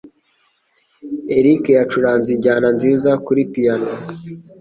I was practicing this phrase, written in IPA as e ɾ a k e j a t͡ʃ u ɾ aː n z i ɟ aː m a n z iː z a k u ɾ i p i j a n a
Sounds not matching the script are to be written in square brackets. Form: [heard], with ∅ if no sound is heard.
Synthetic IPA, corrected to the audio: e ɾ [i] k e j a t͡ʃ u ɾ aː n z i ɟ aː [n] a n z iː z a k u ɾ i p i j a n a